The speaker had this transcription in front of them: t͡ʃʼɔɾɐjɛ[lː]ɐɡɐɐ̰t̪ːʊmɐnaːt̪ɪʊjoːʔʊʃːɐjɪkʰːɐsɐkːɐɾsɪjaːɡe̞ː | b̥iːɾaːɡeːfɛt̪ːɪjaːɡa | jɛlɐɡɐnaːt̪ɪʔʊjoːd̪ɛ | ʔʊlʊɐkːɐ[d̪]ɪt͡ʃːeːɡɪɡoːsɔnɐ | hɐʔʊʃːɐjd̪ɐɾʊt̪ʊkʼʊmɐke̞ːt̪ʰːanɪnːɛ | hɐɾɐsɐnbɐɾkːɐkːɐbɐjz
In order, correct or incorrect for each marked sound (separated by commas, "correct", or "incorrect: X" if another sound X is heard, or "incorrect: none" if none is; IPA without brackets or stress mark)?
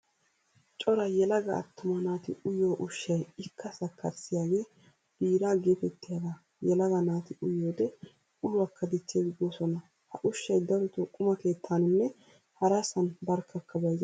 incorrect: l, correct